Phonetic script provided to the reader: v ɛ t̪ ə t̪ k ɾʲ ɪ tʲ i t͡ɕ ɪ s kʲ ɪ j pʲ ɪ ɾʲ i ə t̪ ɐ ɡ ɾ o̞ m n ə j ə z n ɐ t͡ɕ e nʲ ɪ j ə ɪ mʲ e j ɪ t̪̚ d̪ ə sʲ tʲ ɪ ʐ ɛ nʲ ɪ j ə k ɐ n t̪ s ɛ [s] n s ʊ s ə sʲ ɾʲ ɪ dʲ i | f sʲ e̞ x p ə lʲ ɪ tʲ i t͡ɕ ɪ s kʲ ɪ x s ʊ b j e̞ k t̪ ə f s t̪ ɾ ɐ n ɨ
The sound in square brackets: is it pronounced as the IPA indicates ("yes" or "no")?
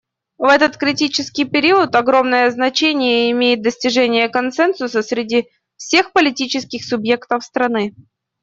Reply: no